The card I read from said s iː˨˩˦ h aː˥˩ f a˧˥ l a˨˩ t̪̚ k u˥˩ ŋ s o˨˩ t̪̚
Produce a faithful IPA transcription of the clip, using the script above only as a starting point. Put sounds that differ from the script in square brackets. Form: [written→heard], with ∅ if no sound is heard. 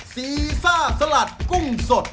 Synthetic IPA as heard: s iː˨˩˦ [h→s] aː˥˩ [f→s] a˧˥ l a˨˩ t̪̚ k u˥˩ ŋ s o˨˩ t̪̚